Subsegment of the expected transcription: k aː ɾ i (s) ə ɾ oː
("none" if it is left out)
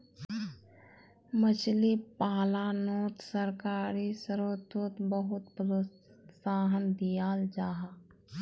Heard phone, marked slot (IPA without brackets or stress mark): s